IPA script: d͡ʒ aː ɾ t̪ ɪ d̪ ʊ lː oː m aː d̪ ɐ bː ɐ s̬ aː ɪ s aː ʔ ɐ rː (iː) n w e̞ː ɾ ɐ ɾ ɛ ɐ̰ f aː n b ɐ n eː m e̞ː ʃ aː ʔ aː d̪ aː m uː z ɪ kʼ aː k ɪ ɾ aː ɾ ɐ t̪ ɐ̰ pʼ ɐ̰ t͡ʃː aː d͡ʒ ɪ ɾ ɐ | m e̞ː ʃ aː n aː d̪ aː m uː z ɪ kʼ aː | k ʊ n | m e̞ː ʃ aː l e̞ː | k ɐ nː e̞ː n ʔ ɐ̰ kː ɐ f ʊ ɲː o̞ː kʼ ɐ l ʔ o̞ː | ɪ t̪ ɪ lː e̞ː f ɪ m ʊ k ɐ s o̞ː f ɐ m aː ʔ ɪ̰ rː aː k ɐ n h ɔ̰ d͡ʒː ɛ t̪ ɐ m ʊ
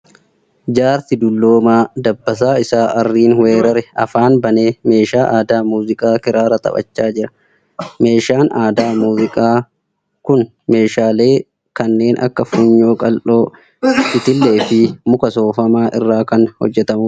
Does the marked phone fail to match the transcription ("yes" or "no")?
no